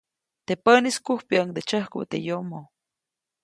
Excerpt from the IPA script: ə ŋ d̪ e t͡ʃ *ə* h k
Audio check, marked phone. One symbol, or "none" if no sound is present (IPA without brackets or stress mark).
ə